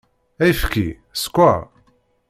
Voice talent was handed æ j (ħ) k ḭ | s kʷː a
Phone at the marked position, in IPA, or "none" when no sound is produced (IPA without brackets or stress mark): f